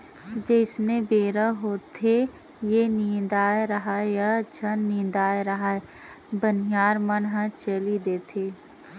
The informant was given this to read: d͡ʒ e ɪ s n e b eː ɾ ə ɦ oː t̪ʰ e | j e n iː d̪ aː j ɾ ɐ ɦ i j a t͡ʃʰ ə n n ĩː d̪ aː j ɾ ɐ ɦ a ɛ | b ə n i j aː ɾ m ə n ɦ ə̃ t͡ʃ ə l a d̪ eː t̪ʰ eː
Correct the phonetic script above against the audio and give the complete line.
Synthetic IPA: d͡ʒ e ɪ s n e b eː ɾ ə ɦ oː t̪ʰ e | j e n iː d̪ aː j ɾ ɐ ɦ a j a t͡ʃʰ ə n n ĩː d̪ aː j ɾ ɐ ɦ a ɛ | b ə n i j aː ɾ m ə n ɦ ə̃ t͡ʃ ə l i d̪ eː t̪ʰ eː